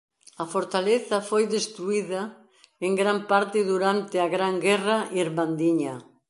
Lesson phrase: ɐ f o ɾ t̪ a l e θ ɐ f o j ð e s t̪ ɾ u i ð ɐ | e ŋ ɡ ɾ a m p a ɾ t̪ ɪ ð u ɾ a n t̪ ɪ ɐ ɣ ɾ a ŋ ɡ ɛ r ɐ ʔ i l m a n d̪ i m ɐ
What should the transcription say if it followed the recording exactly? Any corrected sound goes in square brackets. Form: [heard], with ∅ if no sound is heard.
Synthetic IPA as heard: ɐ f o ɾ t̪ a l e θ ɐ f o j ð e s t̪ ɾ u i ð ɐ | e ŋ ɡ ɾ a m p a ɾ t̪ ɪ ð u ɾ a n t̪ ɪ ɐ ɣ ɾ a ŋ ɡ ɛ r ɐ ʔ i [ɾ] m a n d̪ i [ɲ] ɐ